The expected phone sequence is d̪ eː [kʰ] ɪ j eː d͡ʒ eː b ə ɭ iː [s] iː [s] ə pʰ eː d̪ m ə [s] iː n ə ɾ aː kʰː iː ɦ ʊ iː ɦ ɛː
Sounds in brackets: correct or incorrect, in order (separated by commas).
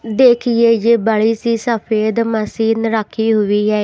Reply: correct, correct, correct, correct